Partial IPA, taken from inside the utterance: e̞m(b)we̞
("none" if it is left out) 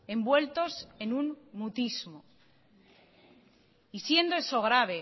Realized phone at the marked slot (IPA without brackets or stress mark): b